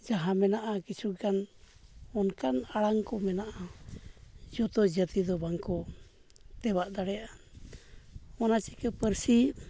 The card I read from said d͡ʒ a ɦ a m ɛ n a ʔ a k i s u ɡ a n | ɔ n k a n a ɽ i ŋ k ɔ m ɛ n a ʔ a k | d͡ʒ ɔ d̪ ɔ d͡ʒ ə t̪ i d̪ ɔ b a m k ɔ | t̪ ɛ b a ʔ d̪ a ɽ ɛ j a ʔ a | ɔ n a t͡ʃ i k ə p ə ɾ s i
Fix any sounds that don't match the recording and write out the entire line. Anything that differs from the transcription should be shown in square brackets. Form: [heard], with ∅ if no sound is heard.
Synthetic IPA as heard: d͡ʒ a ɦ a m ɛ n a ʔ a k i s u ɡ a n | ɔ n k a n a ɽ [a] ŋ k ɔ m ɛ n a ʔ a [∅] | d͡ʒ ɔ [t̪] ɔ d͡ʒ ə t̪ i d̪ ɔ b a [ŋ] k ɔ | t̪ ɛ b a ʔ d̪ a ɽ ɛ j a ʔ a | ɔ n a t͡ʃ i k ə p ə ɾ s i